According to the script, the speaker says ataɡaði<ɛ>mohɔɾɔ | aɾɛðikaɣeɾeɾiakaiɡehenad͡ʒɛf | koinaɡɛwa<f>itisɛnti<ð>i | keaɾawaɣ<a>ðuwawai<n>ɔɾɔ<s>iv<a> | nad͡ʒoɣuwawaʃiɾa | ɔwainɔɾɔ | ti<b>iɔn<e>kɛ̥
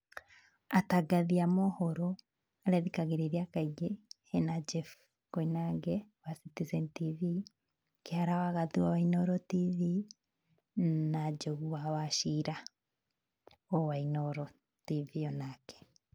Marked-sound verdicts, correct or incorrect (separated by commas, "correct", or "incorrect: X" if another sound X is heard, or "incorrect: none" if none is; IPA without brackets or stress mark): incorrect: a, incorrect: s, incorrect: v, correct, correct, incorrect: t, incorrect: i, incorrect: v, incorrect: a